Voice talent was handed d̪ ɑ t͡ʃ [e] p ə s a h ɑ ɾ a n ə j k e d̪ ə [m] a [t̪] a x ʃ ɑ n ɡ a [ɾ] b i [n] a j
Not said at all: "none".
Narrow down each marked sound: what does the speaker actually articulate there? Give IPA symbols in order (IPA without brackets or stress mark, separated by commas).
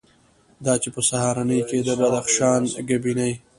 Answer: e, b, d̪, none, n